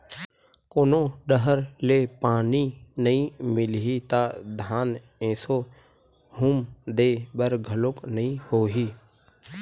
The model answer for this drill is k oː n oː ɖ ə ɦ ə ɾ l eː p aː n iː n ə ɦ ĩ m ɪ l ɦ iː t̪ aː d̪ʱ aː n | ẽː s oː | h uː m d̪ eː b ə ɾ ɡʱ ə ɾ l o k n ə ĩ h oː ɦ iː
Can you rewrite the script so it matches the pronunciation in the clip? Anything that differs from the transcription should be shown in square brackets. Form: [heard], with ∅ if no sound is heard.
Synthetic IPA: k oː n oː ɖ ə ɦ ə ɾ l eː p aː n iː n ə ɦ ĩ m ɪ l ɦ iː t̪ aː d̪ʱ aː n | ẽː s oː | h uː m d̪ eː b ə ɾ ɡʱ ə [∅] l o k n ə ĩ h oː ɦ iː

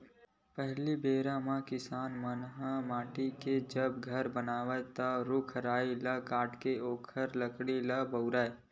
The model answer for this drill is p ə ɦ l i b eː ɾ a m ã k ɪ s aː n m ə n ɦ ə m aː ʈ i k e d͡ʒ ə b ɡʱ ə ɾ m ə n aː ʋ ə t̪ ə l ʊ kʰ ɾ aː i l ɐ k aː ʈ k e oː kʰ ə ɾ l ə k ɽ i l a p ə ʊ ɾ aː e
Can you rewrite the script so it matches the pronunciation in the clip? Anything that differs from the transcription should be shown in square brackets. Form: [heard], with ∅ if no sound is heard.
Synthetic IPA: p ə ɦ l i b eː ɾ a m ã k ɪ s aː n m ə n ɦ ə m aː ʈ i k e d͡ʒ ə b ɡʱ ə ɾ [b] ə n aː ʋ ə t̪ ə [ɾ] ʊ kʰ ɾ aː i l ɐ k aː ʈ k e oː kʰ ə ɾ l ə k ɽ i l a [b] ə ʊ ɾ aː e

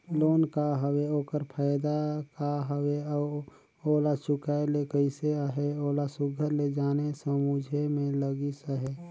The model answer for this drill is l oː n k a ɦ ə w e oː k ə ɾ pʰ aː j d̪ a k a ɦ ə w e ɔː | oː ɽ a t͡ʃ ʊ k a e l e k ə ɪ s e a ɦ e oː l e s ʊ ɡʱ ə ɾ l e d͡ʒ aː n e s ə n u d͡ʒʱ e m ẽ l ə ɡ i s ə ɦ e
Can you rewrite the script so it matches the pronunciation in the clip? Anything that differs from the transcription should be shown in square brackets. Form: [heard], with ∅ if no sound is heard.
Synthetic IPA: l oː n k a ɦ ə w e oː k ə ɾ pʰ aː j d̪ a k a ɦ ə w e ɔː | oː [l] a t͡ʃ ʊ k a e l e k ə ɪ s e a ɦ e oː l [a] s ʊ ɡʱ ə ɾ l e d͡ʒ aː n e s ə [m] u d͡ʒʱ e m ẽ l ə ɡ i s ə ɦ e

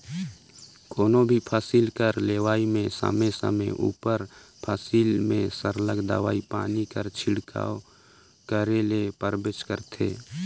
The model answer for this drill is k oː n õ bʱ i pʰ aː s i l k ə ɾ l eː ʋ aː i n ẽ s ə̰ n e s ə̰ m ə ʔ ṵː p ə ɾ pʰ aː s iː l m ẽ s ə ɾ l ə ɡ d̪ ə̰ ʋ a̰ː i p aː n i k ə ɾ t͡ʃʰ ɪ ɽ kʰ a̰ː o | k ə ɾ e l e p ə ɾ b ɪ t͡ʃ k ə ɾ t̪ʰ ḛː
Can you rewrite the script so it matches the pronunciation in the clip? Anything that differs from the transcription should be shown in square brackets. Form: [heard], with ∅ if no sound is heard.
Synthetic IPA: k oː n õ bʱ i pʰ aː s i l k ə ɾ l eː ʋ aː i [m] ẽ s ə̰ [m] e s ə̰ m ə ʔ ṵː p ə ɾ pʰ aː s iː l m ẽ s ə ɾ l ə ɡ d̪ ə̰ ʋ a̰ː i p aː n i k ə ɾ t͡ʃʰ ɪ ɽ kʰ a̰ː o | k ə ɾ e l e p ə ɾ b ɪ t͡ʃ k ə ɾ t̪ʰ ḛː

